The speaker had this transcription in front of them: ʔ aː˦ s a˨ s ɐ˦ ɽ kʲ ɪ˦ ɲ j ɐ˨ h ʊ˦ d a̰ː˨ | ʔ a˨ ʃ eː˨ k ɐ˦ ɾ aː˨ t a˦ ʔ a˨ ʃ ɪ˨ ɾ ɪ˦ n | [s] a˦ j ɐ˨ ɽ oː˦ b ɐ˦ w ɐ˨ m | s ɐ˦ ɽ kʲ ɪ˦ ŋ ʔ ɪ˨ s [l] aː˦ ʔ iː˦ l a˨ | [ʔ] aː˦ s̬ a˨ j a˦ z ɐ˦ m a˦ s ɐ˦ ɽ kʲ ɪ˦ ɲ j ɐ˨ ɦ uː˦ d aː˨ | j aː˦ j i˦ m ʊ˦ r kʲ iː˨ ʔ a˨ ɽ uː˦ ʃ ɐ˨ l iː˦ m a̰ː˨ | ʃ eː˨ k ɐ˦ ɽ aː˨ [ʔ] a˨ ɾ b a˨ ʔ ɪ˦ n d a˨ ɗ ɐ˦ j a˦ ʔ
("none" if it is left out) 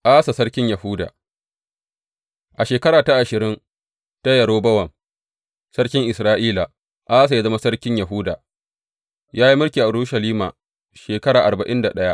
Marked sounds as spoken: t, ɾ, ʔ, ʔ

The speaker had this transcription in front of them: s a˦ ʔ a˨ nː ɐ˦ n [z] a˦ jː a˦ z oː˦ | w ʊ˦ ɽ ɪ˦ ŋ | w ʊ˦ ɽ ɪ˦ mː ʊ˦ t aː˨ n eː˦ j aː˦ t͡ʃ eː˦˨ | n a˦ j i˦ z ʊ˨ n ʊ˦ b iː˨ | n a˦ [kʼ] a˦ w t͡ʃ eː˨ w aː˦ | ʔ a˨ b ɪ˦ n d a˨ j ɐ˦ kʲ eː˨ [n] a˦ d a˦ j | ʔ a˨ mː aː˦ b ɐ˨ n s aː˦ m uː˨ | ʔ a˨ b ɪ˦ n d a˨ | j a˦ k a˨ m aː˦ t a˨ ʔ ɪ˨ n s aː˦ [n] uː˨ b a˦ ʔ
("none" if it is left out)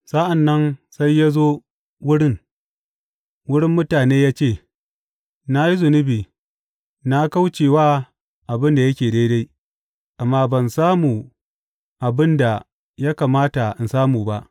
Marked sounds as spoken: s, k, d, m

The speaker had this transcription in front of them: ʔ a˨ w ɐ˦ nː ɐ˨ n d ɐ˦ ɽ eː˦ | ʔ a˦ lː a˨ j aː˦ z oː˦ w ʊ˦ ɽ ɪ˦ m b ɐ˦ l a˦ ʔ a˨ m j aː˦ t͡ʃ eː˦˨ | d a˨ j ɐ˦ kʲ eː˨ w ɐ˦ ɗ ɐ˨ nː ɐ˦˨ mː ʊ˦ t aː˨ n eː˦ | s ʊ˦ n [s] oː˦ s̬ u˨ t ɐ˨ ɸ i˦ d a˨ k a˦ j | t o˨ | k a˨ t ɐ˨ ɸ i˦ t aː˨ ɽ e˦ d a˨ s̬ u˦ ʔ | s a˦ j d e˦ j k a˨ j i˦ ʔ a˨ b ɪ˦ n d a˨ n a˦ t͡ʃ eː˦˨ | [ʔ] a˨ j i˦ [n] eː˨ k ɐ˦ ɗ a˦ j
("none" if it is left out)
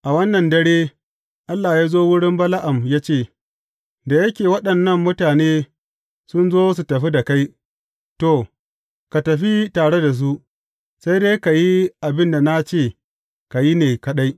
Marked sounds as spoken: z, k, n

